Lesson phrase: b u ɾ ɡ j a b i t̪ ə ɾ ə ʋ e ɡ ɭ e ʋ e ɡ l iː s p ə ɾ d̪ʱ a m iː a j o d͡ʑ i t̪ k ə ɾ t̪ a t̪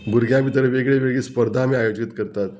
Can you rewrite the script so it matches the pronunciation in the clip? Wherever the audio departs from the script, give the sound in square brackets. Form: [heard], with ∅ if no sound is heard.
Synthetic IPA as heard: b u ɾ ɡ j a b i t̪ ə ɾ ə ʋ e ɡ ɭ e ʋ e ɡ [ɭ] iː s p ə ɾ d̪ʱ a m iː a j o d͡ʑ i t̪ k ə ɾ t̪ a t̪